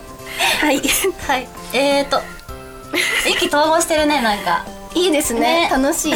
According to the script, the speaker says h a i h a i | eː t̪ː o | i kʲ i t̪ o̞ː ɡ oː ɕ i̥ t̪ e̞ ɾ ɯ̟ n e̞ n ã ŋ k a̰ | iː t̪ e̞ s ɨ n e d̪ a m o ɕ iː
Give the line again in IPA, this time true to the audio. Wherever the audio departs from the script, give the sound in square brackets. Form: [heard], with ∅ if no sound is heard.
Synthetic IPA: h a i h a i | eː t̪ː o | i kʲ i t̪ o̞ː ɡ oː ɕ i̥ t̪ e̞ ɾ ɯ̟ n e̞ n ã ŋ k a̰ | iː [d̪] e̞ s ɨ n e [t̪] a [n] o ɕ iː